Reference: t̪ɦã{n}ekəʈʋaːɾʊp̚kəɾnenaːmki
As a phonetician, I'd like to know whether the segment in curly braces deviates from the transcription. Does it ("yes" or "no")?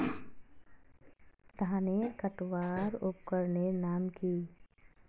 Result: no